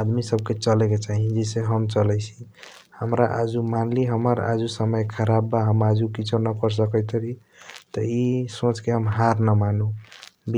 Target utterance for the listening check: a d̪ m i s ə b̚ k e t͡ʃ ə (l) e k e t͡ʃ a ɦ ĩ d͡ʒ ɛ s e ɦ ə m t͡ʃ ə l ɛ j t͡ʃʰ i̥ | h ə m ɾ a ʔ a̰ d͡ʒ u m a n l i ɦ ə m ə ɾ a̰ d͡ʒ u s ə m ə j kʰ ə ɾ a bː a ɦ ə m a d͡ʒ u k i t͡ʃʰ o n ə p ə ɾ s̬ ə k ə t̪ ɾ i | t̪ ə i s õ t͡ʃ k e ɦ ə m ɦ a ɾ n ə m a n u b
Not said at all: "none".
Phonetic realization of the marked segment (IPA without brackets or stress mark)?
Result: l